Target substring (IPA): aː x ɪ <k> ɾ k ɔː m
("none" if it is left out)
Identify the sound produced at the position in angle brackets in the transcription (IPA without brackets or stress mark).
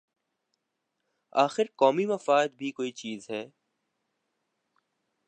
none